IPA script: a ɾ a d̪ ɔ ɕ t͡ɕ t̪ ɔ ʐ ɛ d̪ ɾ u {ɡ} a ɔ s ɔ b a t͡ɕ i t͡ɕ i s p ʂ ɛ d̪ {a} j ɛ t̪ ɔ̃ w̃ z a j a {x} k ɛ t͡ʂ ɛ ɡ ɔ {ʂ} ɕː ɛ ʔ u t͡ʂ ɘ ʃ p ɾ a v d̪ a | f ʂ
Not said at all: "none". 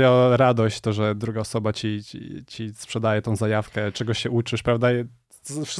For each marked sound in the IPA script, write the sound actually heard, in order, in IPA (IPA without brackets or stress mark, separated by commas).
ɡ, a, f, none